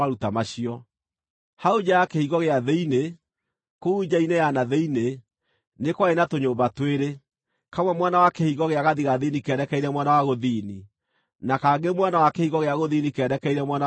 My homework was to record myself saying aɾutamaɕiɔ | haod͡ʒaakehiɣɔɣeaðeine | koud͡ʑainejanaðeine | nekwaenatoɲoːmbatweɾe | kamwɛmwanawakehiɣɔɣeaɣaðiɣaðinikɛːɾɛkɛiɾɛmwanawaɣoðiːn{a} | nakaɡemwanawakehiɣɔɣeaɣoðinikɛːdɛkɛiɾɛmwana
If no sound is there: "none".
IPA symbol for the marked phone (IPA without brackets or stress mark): i